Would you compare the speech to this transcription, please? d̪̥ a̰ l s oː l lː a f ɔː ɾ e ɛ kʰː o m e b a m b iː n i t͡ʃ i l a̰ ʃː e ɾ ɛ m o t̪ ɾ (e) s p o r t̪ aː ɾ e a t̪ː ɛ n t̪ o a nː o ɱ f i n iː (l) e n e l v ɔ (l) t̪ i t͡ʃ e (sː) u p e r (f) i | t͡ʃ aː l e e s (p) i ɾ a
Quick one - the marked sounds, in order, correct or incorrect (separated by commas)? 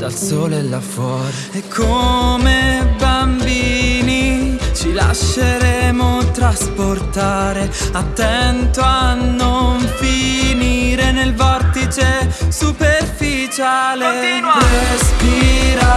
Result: incorrect, incorrect, incorrect, incorrect, correct, correct